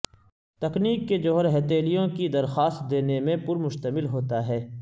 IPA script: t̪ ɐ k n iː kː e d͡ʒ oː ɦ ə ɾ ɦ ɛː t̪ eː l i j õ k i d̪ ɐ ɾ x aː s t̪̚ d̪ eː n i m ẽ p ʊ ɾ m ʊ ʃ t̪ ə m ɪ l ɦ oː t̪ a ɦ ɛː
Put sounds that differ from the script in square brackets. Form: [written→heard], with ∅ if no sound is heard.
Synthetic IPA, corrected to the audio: t̪ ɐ k n iː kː e d͡ʒ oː ɦ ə ɾ ɦ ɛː t̪ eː l i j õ k i d̪ ɐ ɾ x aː s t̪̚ d̪ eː n [i→e] m ẽ p ʊ ɾ m ʊ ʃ t̪ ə m ɪ l ɦ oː t̪ a ɦ ɛː